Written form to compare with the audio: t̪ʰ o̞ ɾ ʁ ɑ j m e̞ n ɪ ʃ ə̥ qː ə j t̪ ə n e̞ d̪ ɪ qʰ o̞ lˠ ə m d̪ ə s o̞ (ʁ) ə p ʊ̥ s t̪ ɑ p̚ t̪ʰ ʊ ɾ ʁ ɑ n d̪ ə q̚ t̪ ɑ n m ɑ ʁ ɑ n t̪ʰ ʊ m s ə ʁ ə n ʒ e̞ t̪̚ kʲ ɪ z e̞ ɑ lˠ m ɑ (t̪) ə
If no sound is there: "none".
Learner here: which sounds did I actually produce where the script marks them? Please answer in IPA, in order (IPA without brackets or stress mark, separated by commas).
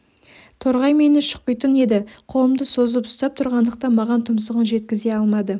z, d̪